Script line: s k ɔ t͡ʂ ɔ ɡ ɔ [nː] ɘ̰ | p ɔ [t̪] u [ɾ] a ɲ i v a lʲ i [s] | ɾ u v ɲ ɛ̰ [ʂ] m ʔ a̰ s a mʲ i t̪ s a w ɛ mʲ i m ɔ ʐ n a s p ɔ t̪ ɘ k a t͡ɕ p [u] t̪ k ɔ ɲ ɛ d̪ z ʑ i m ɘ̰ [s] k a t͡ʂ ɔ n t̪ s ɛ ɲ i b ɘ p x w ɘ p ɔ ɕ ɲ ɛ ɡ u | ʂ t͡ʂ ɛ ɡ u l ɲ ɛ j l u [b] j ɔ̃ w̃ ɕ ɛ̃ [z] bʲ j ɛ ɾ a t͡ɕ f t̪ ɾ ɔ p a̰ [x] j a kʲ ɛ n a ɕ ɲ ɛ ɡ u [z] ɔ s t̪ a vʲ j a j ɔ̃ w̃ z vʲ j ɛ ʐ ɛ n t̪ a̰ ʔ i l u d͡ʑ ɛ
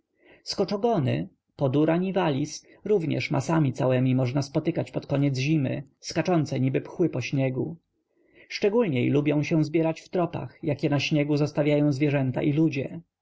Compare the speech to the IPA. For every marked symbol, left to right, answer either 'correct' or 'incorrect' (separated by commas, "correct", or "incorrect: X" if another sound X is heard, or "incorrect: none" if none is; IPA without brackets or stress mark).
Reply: incorrect: n, incorrect: d̪, correct, correct, correct, incorrect: ɔ, correct, correct, correct, correct, correct